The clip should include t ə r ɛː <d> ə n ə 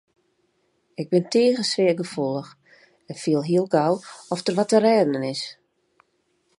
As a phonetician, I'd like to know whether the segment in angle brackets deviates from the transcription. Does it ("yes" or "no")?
no